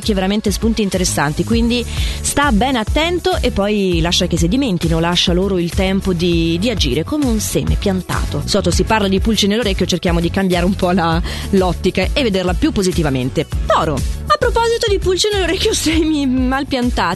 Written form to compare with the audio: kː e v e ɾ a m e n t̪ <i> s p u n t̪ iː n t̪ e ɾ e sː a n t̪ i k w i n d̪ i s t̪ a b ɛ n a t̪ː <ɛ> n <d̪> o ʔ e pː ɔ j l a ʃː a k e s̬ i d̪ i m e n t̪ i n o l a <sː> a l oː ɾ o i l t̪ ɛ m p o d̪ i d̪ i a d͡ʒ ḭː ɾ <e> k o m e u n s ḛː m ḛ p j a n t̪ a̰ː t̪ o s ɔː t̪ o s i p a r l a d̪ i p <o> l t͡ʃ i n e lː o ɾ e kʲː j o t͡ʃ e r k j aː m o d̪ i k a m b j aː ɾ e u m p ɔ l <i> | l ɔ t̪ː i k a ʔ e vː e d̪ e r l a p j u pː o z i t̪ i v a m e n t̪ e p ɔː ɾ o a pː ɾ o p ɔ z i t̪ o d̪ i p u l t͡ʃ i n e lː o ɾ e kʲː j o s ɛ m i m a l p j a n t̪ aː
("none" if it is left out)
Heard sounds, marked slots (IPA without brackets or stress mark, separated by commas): e, ɛ, t̪, ʃː, e, u, a